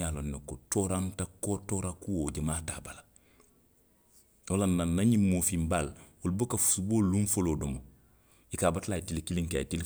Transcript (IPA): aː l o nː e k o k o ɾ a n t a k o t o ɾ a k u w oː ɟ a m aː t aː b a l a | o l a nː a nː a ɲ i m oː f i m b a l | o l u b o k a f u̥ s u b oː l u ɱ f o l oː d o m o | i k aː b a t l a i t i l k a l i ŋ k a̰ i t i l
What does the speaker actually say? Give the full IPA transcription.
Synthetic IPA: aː l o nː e k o t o ɾ a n t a k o t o ɾ a k u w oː ɟ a m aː t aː b a l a | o l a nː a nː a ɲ i m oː f i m b a l | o l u b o k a f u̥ s u b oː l u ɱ f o l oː d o m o | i k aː b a t l a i t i l k i l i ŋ k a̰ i t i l

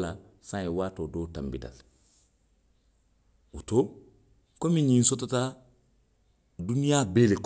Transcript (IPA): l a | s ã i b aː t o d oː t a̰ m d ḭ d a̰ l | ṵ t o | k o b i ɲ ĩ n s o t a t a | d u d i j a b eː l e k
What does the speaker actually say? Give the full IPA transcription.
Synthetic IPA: l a | s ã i w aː t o d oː t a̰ m b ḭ d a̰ l | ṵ t o | k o m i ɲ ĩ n s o t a t a | d u n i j a b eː l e k

